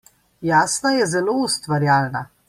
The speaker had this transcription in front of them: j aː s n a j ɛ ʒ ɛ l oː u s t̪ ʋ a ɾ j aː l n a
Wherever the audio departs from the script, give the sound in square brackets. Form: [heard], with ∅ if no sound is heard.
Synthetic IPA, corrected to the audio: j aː s n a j ɛ [z] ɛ l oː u s t̪ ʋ a ɾ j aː l n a